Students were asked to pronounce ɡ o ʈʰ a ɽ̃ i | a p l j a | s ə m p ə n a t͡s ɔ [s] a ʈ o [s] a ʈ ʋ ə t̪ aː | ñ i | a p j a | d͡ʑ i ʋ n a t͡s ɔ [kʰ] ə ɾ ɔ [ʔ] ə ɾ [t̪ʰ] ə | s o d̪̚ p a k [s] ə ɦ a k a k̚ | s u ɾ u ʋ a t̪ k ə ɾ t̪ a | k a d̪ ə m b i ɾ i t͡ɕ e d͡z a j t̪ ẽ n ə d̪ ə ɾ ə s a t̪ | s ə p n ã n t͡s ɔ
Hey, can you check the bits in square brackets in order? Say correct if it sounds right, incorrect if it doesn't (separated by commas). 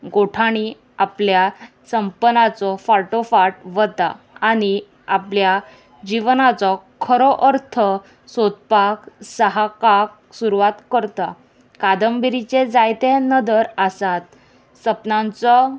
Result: incorrect, incorrect, correct, correct, correct, correct